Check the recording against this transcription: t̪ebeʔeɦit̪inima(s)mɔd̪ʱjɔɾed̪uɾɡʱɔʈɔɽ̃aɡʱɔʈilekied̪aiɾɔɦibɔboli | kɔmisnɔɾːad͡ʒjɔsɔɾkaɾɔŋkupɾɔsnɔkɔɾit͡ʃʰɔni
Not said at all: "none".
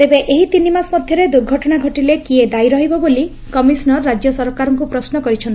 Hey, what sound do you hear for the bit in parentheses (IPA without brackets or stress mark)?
s